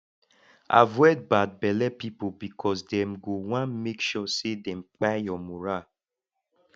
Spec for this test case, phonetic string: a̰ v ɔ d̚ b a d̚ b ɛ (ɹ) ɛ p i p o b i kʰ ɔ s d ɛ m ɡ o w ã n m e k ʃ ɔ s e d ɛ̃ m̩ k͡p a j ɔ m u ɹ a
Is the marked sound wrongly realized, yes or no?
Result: yes